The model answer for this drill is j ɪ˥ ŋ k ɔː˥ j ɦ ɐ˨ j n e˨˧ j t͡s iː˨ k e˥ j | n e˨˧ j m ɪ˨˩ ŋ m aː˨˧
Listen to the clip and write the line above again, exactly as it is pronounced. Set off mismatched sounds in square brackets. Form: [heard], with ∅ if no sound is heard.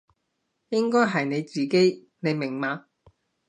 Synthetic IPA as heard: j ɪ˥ ŋ k ɔː˥ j ɦ ɐ˨ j n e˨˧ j t͡s iː˨ k e˥ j | n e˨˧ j m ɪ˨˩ ŋ m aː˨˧

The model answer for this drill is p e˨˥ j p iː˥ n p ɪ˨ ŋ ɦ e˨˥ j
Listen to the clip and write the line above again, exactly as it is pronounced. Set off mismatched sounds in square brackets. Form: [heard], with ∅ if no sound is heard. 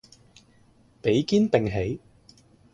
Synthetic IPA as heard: p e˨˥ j [k] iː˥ n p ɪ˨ ŋ ɦ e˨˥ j

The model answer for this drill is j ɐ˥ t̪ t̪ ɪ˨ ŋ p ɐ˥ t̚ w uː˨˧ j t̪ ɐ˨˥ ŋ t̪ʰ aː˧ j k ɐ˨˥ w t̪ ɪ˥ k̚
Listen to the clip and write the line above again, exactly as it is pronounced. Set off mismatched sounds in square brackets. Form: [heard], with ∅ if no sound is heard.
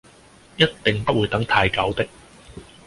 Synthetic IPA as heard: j ɐ˥ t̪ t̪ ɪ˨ ŋ p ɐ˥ t̚ w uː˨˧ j t̪ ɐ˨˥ ŋ t̪ʰ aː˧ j k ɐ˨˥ w t̪ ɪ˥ k̚

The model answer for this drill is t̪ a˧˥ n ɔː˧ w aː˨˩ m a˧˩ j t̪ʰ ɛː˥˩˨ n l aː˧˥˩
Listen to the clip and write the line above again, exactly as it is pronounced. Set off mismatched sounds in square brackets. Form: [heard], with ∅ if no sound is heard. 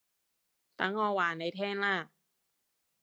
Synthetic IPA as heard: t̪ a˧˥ [ŋ] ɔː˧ w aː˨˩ [n] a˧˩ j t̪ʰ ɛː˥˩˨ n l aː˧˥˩

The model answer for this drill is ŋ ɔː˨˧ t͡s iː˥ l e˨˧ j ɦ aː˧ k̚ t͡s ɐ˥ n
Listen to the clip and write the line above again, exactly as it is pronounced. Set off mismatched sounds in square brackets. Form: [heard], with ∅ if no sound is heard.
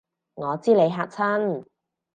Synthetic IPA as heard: ŋ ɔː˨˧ t͡s iː˥ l e˨˧ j ɦ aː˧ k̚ [t͡sʰ] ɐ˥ n

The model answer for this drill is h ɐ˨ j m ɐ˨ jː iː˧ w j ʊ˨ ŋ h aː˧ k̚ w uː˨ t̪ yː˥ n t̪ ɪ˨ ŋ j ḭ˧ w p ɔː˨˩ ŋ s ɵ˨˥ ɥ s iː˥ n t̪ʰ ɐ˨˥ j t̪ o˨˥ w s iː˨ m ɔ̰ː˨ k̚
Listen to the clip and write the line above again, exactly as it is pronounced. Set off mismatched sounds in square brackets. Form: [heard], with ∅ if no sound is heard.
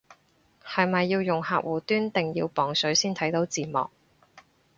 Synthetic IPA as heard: h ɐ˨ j m ɐ˨ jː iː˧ w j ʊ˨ ŋ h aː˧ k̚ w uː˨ t̪ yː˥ n t̪ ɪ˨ ŋ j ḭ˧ w p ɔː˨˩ ŋ s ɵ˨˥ ɥ s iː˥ n t̪ʰ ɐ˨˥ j t̪ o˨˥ w [t͡s] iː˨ m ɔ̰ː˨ k̚

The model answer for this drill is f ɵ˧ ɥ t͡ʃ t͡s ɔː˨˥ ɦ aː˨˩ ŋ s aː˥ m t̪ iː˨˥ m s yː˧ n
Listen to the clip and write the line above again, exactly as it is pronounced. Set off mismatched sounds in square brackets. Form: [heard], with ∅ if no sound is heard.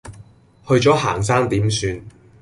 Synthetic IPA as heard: [h] ɵ˧ ɥ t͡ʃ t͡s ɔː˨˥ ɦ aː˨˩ ŋ s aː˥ [ŋ] t̪ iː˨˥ m s yː˧ n

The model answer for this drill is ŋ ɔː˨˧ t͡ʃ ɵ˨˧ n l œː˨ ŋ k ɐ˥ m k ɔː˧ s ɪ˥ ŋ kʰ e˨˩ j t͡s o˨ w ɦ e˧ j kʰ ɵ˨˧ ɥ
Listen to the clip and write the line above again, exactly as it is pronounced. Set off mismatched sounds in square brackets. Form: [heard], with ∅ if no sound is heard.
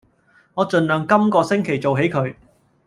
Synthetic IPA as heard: ŋ ɔː˨˧ t͡ʃ ɵ˨˧ n l œː˨ ŋ k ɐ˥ m k ɔː˧ s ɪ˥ ŋ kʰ e˨˩ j t͡s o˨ w ɦ [e˨˥] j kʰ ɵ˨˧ ɥ

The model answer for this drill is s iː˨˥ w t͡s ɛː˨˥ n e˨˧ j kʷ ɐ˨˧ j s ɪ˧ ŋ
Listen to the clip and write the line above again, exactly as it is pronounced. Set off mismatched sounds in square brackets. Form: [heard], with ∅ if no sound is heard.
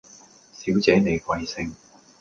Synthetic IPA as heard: s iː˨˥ w t͡s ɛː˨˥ n e˨˧ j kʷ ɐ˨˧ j s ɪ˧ ŋ

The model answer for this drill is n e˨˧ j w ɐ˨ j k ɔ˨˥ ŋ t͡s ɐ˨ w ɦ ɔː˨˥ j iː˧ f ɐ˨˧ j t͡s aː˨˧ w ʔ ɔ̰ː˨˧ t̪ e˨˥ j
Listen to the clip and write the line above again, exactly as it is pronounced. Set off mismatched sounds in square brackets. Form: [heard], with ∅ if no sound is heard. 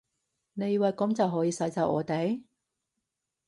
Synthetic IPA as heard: n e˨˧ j w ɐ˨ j k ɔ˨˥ [m] t͡s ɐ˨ w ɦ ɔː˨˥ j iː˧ [s] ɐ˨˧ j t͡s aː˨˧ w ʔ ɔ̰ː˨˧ t̪ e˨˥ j

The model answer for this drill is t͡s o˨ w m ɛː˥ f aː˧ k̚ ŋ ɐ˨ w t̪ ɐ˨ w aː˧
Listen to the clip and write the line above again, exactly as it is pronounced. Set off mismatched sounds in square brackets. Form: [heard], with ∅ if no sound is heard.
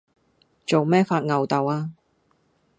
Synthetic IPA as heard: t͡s o˨ w m ɛː˥ f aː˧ [t̚] ŋ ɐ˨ w t̪ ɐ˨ w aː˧

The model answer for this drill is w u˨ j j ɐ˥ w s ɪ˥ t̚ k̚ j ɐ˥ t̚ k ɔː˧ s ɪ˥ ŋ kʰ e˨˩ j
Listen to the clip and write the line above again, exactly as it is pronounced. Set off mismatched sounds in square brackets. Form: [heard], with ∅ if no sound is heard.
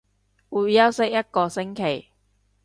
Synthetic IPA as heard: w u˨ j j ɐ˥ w s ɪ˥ [∅] k̚ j ɐ˥ t̚ k ɔː˧ s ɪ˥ ŋ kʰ e˨˩ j

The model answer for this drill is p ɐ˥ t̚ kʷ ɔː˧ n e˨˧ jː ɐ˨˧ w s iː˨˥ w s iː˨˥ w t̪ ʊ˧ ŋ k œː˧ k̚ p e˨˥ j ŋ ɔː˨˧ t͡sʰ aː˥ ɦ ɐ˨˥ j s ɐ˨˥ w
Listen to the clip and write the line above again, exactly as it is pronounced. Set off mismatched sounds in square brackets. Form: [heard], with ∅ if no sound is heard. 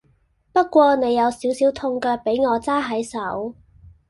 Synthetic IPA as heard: p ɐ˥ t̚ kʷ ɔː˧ n e˨˧ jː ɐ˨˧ w s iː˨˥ w s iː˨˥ w [t̪ʰ] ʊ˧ ŋ k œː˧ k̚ p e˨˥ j ŋ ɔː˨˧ [t͡s] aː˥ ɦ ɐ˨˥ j s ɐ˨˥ w

